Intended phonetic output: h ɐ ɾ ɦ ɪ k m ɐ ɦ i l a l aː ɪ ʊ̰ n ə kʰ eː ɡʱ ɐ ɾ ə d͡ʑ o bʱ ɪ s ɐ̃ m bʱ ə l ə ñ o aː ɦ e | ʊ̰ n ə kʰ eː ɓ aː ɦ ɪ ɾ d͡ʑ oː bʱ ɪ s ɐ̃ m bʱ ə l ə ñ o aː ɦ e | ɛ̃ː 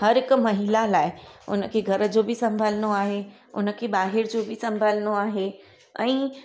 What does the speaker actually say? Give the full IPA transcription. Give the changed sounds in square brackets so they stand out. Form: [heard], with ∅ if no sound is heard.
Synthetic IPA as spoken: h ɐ ɾ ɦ ɪ k m ɐ ɦ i l a l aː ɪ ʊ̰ n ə kʰ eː ɡʱ ɐ ɾ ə d͡ʑ o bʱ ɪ s ɐ̃ m bʱ ə l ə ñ o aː ɦ e | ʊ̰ n ə kʰ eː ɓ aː ɦ ɪ ɾ d͡ʑ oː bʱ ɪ s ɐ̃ m bʱ ə l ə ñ o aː ɦ e | ɛ̃ː